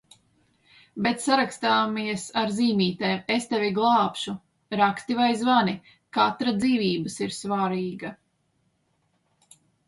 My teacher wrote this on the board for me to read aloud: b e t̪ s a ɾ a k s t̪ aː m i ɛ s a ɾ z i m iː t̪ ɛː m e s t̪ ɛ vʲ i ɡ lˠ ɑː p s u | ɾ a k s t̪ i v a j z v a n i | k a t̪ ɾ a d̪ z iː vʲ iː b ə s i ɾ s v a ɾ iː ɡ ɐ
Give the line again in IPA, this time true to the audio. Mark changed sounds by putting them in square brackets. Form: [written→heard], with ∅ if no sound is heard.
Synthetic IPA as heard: b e t̪ s a ɾ a k s t̪ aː m i ɛ s a ɾ z [i→iː] m iː t̪ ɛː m e s t̪ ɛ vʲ i ɡ lˠ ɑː p [s→ʃ] u | ɾ a k s t̪ i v a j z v a n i | k a t̪ ɾ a d̪ z iː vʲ iː b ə s i ɾ s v a ɾ iː ɡ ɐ